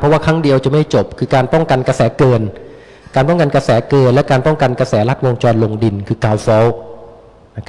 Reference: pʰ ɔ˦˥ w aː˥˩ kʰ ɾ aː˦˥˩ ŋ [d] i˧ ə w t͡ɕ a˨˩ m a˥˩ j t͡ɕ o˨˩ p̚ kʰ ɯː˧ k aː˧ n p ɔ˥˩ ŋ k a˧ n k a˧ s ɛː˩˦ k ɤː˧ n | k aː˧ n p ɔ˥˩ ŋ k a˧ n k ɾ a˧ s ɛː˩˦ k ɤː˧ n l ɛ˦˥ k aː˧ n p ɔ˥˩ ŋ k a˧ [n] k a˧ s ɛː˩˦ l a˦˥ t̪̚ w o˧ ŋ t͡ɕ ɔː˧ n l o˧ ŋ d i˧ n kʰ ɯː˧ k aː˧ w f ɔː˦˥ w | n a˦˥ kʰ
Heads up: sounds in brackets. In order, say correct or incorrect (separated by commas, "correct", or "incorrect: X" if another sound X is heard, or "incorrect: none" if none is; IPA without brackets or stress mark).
correct, correct